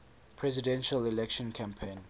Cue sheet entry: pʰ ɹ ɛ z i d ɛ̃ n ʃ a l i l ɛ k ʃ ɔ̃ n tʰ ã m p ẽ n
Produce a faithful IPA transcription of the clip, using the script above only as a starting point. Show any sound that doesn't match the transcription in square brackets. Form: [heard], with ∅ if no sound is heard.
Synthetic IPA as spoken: pʰ ɹ ɛ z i d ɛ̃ n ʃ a l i l ɛ k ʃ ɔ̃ n [kʰ] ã m [pʰ] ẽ n